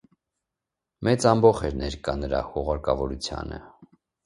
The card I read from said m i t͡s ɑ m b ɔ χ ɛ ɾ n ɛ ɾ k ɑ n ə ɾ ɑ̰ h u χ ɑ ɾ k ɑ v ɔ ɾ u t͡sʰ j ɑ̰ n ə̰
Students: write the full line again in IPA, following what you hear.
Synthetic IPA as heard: m ɛ t͡s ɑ m b ɔ χ ɛ ɾ n ɛ ɾ k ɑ n ə ɾ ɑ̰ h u ʁ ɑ ɾ k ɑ v ɔ ɾ u t͡sʰ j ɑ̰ n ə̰